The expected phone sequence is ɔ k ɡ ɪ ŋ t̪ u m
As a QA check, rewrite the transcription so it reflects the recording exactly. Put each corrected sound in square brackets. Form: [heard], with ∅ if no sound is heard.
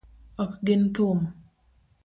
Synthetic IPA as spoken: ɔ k ɡ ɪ [n] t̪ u m

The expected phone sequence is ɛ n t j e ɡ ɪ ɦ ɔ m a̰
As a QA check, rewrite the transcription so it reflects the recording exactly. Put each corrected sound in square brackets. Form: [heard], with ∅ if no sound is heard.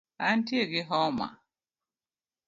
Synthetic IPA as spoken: [a] n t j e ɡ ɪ ɦ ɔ m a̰

